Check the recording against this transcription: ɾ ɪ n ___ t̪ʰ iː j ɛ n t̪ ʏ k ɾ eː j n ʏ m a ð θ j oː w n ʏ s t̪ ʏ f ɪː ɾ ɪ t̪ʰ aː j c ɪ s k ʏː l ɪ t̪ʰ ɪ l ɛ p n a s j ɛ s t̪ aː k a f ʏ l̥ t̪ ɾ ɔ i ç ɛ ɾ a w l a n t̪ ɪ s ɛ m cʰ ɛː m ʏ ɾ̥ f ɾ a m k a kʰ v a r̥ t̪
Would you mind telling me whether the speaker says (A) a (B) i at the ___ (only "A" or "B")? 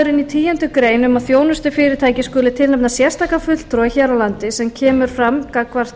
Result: B